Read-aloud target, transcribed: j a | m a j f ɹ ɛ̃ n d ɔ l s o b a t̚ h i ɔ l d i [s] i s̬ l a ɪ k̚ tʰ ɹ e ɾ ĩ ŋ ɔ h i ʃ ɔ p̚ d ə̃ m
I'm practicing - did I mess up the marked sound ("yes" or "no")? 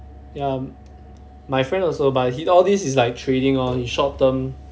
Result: no